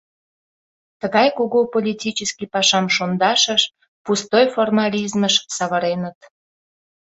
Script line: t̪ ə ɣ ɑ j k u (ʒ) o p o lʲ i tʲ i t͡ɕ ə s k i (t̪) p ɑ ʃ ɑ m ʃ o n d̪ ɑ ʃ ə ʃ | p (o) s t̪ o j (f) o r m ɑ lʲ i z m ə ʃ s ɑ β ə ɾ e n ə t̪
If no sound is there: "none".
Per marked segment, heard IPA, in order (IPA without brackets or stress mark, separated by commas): ɣ, none, u, f